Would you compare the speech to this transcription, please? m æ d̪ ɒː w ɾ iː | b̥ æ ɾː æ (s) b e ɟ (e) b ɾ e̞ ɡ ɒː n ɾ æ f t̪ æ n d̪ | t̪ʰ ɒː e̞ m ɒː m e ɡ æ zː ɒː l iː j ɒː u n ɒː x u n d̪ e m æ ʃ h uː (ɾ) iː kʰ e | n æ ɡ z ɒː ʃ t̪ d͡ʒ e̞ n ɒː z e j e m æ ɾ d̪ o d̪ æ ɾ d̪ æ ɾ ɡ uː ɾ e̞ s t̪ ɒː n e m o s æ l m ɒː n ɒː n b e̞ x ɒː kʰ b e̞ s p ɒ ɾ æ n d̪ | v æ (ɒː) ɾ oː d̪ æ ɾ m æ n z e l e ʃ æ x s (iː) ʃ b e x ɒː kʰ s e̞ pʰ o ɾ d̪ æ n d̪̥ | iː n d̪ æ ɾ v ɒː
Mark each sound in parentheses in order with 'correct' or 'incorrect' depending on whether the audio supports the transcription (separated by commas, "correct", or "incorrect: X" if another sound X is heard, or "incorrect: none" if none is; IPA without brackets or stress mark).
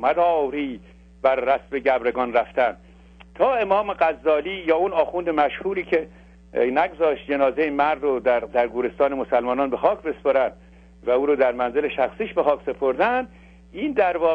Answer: correct, incorrect: æ, correct, incorrect: uː, correct